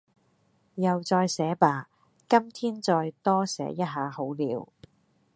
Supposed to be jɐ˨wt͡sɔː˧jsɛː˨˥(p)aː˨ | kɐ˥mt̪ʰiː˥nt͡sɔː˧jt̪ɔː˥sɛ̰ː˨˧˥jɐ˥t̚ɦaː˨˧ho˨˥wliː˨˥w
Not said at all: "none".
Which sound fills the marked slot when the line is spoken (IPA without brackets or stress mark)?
p